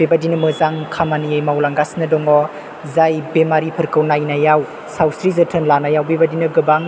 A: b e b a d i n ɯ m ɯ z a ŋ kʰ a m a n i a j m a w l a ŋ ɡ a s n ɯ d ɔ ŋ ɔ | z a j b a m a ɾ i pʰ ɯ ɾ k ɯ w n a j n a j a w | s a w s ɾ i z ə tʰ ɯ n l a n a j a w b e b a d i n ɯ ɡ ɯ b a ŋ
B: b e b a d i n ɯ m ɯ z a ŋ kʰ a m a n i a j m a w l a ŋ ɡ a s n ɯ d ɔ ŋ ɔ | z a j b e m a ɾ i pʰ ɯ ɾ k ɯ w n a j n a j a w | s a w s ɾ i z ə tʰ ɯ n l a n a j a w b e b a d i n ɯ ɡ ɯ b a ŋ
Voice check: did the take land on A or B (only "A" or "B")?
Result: B